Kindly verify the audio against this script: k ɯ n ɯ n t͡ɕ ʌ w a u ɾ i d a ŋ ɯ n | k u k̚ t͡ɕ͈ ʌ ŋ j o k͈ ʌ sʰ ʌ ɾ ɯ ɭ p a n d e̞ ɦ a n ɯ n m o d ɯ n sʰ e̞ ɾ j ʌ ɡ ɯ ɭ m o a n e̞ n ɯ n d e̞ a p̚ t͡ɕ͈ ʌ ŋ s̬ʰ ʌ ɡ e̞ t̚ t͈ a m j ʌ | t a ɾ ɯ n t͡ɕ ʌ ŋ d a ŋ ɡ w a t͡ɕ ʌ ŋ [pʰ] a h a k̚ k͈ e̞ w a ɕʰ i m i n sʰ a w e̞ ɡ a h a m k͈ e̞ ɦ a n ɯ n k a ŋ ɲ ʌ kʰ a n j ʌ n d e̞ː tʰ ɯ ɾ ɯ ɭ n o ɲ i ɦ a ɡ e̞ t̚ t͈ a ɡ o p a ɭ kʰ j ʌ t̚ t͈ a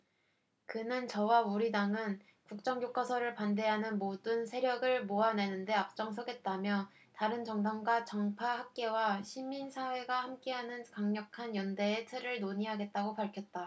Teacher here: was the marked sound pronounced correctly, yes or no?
yes